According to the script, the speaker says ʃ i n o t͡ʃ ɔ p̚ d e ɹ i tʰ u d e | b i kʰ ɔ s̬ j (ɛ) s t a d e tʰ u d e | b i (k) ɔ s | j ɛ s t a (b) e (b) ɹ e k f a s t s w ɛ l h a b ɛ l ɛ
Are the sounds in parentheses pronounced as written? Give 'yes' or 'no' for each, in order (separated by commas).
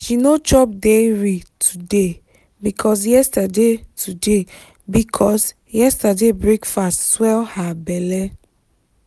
yes, no, no, yes